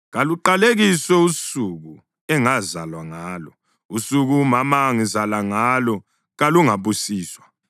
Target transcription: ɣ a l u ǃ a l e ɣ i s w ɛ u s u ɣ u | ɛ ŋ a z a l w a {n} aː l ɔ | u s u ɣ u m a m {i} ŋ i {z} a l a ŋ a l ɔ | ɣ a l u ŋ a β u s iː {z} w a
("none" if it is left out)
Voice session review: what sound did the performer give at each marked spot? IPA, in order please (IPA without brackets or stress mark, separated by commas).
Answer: ŋ, a, z, s